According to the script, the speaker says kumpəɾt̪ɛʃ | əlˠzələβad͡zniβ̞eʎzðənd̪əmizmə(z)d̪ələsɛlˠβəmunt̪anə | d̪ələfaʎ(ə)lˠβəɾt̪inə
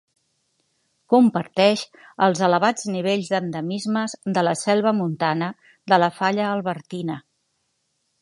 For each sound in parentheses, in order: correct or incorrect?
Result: correct, incorrect

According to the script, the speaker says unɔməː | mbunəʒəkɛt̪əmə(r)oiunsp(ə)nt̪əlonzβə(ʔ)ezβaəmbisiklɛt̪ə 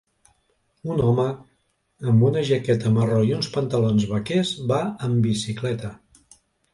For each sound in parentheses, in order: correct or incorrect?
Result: correct, correct, incorrect

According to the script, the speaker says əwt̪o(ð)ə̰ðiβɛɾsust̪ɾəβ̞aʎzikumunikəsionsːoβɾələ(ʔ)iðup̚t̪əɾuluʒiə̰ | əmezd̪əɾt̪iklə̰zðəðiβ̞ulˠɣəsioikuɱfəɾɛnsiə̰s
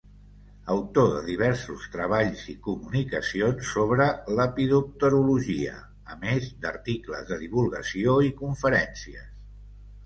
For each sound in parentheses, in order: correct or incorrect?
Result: correct, incorrect

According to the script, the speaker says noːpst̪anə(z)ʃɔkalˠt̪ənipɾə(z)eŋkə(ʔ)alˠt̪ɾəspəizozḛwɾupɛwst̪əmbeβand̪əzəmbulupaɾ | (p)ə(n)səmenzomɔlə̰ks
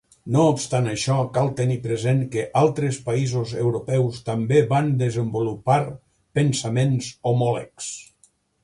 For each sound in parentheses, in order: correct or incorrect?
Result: incorrect, correct, correct, correct, correct

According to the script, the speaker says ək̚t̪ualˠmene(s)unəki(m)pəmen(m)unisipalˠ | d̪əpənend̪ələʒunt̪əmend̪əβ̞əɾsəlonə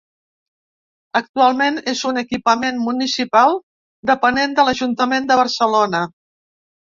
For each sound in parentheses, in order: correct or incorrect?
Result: incorrect, incorrect, correct

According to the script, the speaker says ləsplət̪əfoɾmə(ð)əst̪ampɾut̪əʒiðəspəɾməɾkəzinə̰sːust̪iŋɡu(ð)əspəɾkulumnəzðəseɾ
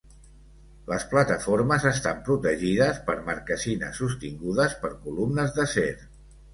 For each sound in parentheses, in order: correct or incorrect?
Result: incorrect, correct

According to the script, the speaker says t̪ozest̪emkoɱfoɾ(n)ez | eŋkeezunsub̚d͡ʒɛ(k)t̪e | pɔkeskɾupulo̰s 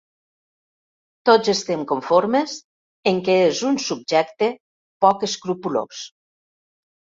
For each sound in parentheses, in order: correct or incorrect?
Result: incorrect, correct

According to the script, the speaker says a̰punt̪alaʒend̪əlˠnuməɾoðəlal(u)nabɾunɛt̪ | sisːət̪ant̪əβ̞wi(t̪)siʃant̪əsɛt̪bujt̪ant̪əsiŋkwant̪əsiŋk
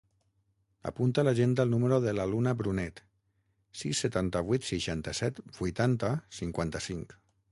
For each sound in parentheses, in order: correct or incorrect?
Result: correct, correct

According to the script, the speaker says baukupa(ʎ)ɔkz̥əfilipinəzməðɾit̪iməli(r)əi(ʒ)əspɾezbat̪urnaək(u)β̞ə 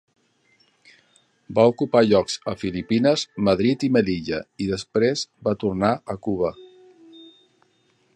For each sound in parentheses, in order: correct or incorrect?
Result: correct, incorrect, incorrect, correct

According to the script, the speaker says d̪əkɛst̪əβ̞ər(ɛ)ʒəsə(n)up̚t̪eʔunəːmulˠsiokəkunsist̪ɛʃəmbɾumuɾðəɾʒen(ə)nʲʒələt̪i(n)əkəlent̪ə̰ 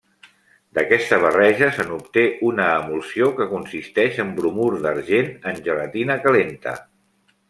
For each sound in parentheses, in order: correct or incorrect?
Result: correct, correct, correct, correct

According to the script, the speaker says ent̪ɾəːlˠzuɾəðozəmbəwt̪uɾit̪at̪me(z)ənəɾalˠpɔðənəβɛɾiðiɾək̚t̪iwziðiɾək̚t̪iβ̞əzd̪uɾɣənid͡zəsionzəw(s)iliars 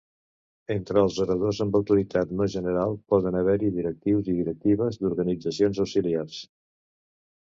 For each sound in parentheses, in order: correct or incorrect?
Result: incorrect, correct

